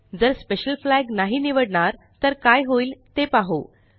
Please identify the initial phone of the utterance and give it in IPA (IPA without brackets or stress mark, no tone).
d͡z